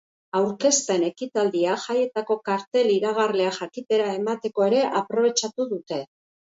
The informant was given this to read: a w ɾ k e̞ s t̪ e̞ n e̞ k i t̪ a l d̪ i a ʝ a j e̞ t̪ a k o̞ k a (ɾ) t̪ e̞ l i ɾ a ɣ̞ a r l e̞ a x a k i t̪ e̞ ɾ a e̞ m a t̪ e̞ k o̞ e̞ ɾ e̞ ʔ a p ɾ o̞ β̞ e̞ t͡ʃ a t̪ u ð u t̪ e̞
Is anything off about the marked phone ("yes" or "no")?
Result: no